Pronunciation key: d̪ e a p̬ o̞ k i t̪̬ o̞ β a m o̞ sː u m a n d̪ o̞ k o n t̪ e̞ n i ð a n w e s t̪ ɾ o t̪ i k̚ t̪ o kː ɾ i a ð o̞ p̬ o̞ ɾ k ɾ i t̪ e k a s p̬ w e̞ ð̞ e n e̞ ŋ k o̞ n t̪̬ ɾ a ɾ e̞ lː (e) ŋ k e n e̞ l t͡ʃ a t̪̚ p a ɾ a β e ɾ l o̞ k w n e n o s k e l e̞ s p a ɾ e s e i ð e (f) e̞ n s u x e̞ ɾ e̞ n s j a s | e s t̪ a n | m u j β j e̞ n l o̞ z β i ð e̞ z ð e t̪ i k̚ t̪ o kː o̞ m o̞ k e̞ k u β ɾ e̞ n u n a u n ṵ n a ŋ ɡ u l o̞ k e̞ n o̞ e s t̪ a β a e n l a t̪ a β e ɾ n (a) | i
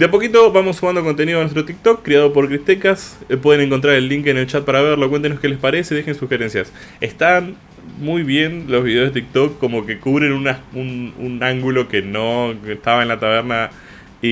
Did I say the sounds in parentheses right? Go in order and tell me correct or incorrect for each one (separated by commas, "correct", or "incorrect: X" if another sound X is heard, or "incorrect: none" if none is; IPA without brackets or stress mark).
incorrect: i, incorrect: x, correct